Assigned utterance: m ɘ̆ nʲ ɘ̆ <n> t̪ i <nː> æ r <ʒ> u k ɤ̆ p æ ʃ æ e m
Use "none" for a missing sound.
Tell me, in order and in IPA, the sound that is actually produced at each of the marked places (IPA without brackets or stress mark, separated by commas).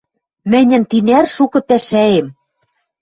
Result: n, n, ʃ